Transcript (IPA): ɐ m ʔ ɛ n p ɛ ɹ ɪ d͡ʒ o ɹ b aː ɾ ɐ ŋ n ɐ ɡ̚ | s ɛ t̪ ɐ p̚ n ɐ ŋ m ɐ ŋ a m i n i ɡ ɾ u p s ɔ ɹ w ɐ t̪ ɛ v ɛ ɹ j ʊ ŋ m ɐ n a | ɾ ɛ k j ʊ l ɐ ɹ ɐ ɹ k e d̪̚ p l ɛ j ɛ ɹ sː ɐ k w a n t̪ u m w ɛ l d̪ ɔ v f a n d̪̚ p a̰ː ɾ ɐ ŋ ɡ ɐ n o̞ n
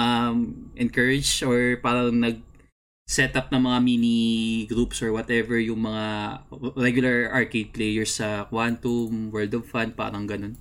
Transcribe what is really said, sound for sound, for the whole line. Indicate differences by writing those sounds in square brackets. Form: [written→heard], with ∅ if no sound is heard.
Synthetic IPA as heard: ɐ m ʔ ɛ n [p→k] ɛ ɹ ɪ d͡ʒ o ɹ [b→p] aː ɾ ɐ ŋ n ɐ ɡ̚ | s ɛ t̪ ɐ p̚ n ɐ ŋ m ɐ ŋ a m i n i ɡ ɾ u p s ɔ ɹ w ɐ t̪ ɛ v ɛ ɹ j ʊ ŋ m ɐ [n→ŋ] a | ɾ ɛ [k→ɡ] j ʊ l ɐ ɹ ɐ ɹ k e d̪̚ p l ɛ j ɛ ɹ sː ɐ k w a n t̪ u m w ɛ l d̪ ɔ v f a n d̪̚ p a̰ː ɾ ɐ ŋ ɡ ɐ n o̞ n